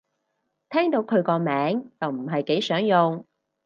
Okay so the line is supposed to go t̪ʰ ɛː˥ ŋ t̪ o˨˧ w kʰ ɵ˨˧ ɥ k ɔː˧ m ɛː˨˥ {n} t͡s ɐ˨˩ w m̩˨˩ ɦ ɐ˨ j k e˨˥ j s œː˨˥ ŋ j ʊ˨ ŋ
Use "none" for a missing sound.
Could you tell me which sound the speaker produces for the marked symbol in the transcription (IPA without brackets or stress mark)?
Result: ŋ